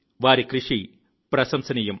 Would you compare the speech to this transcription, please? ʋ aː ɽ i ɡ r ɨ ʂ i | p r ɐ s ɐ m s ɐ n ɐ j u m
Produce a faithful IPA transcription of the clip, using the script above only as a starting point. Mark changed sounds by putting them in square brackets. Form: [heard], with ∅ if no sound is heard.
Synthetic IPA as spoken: ʋ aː [ɾ] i [k] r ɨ ʂ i | p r ɐ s ɐ m s ɐ n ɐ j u m